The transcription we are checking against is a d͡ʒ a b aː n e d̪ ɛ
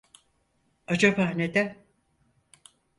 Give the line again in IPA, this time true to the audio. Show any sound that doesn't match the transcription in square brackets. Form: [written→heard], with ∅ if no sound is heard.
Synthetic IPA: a d͡ʒ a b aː n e d̪ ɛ